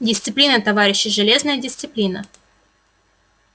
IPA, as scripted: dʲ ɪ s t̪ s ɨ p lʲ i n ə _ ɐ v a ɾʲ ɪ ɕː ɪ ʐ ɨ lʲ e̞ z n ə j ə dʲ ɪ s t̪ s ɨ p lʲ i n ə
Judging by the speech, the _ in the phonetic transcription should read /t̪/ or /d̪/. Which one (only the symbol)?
t̪